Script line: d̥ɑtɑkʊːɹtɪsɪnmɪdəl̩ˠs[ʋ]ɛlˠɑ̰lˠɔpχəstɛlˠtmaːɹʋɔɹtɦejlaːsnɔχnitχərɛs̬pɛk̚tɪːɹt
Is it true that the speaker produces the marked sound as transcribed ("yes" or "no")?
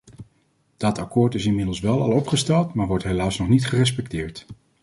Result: yes